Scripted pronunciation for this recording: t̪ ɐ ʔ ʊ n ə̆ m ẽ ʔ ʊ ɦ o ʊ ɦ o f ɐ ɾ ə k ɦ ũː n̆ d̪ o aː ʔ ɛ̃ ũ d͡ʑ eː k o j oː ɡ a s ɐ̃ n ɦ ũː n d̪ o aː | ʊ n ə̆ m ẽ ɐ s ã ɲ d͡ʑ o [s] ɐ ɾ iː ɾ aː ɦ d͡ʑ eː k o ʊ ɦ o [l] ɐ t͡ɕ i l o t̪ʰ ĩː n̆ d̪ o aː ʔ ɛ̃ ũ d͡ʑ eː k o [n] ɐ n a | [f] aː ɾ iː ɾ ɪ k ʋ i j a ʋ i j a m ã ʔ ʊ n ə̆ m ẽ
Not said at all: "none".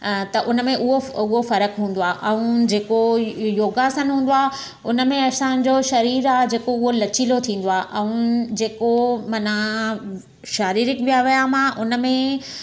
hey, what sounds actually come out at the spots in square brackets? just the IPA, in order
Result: ʃ, l, m, ʃ

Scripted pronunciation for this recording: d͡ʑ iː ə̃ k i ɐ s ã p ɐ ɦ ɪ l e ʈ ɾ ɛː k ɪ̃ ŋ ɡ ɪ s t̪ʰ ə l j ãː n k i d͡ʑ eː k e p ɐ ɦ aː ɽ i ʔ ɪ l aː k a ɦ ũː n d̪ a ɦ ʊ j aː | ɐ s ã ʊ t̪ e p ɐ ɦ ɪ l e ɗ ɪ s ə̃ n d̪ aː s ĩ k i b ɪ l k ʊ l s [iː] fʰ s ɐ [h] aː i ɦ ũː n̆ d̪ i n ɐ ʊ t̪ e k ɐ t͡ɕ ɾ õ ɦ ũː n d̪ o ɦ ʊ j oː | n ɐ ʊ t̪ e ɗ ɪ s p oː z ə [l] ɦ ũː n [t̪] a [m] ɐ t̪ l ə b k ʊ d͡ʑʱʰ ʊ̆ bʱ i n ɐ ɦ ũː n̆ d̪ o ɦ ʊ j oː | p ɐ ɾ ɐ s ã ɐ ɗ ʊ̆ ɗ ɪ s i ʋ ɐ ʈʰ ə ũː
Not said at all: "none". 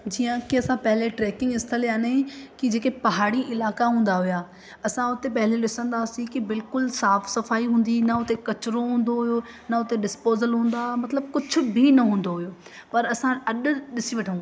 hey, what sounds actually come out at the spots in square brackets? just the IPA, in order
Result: aː, f, l, d̪, m

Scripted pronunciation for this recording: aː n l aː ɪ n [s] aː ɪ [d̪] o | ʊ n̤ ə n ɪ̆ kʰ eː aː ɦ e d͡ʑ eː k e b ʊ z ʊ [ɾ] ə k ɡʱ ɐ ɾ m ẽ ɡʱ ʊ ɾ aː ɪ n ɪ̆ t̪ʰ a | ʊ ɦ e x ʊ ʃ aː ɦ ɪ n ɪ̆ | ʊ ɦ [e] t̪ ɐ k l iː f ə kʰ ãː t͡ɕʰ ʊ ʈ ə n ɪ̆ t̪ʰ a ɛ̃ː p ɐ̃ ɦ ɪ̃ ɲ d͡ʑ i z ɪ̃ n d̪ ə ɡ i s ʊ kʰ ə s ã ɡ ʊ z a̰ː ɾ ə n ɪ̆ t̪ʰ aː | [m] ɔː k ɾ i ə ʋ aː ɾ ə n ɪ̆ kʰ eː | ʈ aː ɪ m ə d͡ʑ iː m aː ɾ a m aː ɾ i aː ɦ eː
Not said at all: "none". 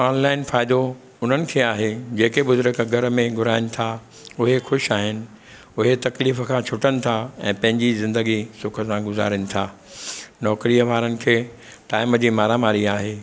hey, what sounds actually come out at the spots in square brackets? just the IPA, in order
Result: f, d̪, ɾ, e, n

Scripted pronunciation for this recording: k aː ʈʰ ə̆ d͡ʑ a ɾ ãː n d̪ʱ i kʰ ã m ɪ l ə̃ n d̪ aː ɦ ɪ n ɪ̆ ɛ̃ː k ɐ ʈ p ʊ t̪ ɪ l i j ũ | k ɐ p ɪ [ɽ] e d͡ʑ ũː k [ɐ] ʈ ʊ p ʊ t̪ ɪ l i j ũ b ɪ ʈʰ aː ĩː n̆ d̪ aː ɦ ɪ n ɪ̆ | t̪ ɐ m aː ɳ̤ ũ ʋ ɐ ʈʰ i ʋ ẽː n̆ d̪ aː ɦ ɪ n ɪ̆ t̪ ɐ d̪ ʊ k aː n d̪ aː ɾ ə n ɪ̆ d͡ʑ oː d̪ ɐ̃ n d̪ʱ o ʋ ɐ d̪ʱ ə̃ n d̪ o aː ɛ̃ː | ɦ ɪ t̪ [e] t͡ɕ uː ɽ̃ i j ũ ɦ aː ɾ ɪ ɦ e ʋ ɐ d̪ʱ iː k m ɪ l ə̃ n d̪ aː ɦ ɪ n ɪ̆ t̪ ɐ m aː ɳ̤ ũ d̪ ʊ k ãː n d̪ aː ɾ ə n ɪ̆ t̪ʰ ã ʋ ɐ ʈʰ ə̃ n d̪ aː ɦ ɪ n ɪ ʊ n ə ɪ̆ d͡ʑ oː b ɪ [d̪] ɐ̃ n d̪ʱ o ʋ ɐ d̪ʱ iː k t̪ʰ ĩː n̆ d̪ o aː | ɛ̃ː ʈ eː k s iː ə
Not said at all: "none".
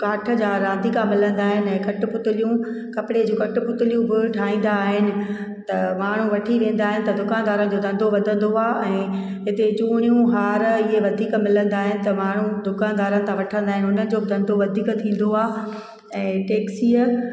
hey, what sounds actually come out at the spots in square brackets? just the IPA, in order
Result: ɽ, ɐ, e, d̪

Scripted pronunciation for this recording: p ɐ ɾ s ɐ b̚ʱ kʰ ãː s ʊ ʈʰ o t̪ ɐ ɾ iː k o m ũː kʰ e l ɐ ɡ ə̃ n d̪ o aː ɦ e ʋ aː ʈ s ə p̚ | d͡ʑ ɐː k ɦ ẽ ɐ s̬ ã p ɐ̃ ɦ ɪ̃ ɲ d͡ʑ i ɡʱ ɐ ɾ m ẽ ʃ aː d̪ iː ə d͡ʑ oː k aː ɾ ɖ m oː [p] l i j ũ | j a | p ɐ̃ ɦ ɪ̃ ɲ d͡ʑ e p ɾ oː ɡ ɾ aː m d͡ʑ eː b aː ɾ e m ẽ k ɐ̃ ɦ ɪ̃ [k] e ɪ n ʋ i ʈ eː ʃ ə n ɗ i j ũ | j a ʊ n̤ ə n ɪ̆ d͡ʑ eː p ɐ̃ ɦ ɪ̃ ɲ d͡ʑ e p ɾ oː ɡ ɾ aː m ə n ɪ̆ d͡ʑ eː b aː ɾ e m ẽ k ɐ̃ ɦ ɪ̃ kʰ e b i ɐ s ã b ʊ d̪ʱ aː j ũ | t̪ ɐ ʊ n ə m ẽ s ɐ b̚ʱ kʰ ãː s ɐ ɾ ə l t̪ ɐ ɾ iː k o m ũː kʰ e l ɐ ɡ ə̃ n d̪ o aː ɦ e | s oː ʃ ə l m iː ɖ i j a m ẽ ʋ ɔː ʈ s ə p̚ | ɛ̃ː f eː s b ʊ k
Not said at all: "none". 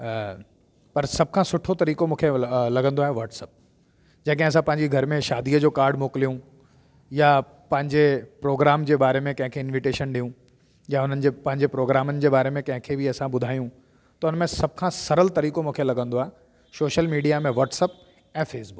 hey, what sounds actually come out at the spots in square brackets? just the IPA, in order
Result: k, kʰ

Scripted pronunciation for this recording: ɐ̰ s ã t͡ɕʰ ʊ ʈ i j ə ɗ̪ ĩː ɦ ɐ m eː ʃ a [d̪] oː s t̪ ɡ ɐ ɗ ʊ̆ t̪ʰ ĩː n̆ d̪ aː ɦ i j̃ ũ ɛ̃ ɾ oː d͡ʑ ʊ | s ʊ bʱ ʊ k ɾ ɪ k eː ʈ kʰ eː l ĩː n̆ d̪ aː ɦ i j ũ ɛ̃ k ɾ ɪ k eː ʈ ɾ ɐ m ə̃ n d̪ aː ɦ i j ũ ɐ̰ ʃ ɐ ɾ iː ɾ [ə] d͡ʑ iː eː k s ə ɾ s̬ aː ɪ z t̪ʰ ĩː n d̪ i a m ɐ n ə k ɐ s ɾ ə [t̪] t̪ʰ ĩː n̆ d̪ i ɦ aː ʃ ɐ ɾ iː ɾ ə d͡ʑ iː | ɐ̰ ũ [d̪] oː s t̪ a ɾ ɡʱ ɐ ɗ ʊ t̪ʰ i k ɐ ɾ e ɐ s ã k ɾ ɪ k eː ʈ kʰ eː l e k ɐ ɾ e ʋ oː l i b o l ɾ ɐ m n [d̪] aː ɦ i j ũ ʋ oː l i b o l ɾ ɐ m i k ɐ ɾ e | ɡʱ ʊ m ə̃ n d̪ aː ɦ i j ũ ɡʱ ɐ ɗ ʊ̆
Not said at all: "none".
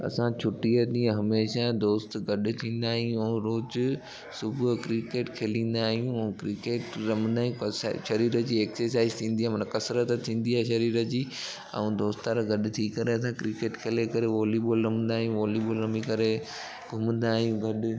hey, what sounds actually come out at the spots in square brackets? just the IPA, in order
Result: d̪, ə, t̪, d̪, d̪

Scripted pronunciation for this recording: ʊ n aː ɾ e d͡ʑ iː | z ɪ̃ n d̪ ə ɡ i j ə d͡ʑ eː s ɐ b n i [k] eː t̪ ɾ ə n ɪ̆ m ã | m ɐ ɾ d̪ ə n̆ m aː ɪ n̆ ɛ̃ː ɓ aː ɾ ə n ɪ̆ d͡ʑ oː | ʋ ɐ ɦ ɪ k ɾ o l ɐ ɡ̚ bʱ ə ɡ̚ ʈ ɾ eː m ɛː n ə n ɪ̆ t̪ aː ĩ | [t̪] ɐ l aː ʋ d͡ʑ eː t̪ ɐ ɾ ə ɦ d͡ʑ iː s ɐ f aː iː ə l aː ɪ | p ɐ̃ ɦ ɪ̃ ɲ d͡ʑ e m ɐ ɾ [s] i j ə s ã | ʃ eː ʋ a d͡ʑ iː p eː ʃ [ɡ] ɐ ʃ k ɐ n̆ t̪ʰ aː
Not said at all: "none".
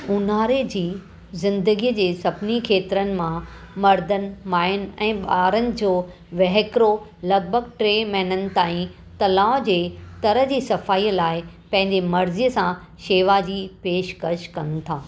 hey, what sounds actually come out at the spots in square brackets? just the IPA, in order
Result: kʰ, t̪, z, k

